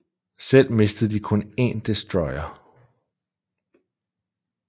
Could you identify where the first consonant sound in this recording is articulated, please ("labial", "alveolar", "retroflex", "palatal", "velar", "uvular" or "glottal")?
alveolar